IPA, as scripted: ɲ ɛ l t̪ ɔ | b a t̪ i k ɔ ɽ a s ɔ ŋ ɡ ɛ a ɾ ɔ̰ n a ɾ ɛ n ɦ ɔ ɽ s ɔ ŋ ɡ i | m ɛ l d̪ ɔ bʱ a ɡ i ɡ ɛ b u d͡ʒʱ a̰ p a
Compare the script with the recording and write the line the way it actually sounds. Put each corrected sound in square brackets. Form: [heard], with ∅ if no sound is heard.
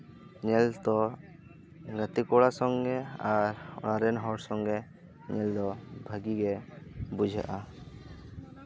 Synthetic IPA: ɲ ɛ l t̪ ɔ | [ɡ] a t̪ i k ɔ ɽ a s ɔ ŋ ɡ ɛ a ɾ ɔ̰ n a ɾ ɛ n ɦ ɔ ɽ s ɔ ŋ ɡ [ɛ] | [ɲ] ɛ l d̪ ɔ bʱ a ɡ i ɡ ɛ b u d͡ʒʱ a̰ [ʔ] a